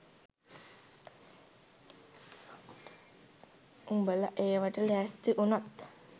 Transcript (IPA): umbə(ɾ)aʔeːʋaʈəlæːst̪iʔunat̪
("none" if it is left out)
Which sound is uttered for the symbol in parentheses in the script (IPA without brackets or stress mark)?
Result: l